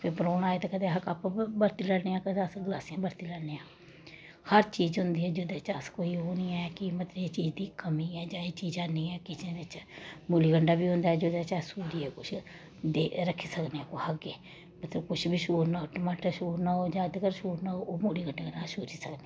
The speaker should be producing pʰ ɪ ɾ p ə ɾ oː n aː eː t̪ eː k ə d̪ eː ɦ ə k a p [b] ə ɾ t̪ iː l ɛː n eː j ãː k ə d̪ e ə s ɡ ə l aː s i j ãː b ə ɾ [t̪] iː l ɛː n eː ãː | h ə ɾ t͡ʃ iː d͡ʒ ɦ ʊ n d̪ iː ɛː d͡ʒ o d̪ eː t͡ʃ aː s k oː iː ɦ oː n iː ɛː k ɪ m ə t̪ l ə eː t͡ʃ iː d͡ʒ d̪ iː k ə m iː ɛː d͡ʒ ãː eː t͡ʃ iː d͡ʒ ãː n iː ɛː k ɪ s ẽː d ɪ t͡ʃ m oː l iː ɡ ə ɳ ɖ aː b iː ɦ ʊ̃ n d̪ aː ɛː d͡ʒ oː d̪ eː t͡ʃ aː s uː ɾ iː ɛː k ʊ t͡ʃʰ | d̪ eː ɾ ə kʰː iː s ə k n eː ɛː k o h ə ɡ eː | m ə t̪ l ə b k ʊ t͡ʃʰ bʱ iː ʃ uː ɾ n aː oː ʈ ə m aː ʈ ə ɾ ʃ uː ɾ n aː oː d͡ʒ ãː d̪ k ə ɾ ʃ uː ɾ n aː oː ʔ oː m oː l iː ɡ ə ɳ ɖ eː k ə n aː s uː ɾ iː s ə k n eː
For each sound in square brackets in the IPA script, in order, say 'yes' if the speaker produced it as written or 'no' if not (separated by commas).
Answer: yes, yes